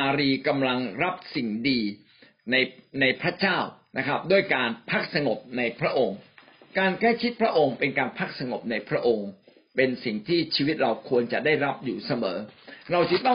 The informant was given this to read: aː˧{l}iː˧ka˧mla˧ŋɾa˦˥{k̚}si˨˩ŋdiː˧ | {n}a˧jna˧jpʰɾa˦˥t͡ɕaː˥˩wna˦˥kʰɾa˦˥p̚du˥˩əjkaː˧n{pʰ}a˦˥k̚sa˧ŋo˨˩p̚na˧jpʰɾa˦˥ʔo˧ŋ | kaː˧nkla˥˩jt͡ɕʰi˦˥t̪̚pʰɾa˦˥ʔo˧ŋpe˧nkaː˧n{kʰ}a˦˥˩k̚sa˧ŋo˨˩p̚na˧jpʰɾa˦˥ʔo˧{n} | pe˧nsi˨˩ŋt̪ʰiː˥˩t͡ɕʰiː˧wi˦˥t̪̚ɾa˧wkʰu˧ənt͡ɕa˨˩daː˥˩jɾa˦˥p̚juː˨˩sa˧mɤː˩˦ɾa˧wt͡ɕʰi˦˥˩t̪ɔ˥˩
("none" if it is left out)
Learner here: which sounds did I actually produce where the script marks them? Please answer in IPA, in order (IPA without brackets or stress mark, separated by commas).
ɾ, p̚, n, pʰ, pʰ, ŋ